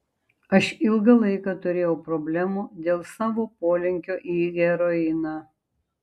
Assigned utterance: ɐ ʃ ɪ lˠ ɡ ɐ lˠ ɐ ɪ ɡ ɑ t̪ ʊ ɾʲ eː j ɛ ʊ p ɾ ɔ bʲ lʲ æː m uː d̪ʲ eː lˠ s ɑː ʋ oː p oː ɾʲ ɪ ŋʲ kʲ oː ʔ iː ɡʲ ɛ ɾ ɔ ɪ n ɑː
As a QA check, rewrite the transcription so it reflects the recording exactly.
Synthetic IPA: ɐ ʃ ɪ lˠ ɡ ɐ lˠ ɐ ɪ k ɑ t̪ ʊ ɾʲ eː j ɛ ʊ p ɾ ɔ bʲ lʲ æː m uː d̪ʲ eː lˠ s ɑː ʋ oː p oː lʲ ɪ ŋʲ kʲ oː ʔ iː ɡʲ ɛ ɾ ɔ ɪ n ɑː